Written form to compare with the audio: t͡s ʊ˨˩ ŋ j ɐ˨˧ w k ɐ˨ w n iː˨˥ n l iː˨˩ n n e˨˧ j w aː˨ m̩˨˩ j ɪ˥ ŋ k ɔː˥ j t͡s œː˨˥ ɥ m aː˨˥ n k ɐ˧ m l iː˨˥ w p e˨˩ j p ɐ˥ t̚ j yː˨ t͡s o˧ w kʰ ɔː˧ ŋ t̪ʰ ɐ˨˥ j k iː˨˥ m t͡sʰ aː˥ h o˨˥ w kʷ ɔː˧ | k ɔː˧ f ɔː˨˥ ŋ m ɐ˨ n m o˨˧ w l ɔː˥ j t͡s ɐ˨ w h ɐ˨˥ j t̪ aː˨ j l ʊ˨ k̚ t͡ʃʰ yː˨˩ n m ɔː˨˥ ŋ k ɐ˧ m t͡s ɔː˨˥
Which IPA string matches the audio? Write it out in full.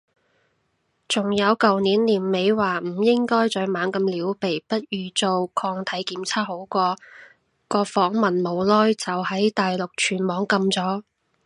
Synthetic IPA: t͡s ʊ˨˩ ŋ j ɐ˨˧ w k ɐ˨ w n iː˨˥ n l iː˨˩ n m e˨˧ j w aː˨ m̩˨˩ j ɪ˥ ŋ k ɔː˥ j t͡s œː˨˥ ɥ m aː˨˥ n k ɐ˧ m l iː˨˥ w p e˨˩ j p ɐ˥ t̚ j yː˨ t͡s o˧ w kʰ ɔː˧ ŋ t̪ʰ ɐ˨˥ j k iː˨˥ m t͡sʰ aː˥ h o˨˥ w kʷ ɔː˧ | k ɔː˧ f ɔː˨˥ ŋ m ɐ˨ n m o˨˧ w l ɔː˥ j t͡s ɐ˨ w h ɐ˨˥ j t̪ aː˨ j l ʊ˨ k̚ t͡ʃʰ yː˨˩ n m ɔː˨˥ ŋ k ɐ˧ m t͡s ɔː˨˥

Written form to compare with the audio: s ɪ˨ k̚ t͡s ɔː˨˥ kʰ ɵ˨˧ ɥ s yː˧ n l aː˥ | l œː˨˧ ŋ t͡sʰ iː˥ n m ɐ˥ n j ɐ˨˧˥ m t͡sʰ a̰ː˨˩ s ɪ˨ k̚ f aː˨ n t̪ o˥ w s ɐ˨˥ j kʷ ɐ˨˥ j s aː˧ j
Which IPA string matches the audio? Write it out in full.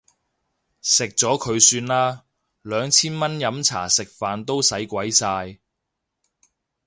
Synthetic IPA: s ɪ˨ k̚ t͡s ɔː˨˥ kʰ ɵ˨˧ ɥ s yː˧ n l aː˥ | l œː˨˧ ŋ t͡sʰ iː˥ n m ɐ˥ n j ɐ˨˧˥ m t͡sʰ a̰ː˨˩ s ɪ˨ k̚ f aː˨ n t̪ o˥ w s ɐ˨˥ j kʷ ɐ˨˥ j s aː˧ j

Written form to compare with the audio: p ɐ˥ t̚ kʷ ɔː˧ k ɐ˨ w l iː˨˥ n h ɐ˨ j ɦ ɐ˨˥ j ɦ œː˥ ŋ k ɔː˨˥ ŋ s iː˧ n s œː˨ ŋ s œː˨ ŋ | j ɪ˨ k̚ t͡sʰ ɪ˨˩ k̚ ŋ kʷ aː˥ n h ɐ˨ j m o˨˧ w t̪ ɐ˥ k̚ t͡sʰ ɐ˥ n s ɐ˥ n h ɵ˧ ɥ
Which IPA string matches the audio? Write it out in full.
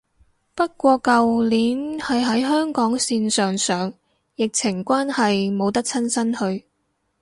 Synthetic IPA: p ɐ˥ t̚ kʷ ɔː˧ k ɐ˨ w l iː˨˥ n h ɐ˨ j ɦ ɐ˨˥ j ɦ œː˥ ŋ k ɔː˨˥ ŋ s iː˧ n s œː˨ ŋ s œː˨ ŋ | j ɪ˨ k̚ t͡sʰ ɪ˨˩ ŋ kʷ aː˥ n h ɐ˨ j m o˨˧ w t̪ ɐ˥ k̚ t͡sʰ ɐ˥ n s ɐ˥ n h ɵ˧ ɥ

